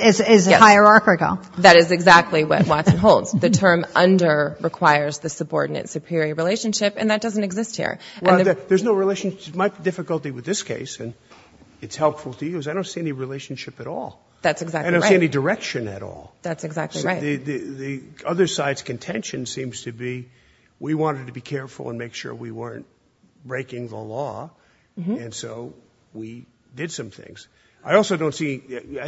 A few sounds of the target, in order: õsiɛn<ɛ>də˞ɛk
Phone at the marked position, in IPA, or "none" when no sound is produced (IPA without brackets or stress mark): i